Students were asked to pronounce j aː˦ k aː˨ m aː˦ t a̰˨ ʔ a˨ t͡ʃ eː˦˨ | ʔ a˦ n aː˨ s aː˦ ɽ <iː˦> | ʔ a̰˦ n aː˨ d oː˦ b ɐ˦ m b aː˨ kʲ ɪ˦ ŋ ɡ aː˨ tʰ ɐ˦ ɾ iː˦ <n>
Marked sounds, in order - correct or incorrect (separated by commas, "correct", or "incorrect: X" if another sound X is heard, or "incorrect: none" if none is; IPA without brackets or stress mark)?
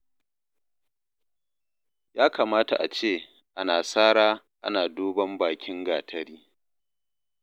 incorrect: aː˦, incorrect: none